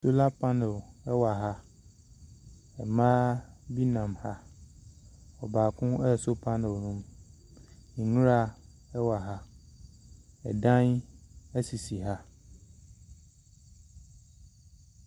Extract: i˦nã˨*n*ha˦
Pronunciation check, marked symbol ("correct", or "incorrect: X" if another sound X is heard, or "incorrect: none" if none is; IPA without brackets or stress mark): incorrect: m